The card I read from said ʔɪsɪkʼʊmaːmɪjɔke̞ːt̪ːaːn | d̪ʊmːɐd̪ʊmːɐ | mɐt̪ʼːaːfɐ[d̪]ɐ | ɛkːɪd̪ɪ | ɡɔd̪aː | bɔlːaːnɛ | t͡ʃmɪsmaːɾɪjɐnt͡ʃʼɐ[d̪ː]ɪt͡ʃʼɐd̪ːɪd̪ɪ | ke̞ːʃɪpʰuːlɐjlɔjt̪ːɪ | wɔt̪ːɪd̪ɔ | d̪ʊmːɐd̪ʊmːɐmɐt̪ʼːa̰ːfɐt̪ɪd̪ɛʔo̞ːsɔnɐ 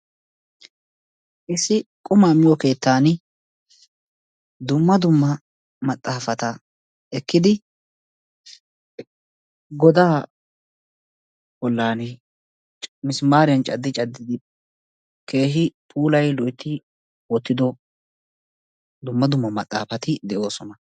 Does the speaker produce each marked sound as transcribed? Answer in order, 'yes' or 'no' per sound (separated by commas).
no, yes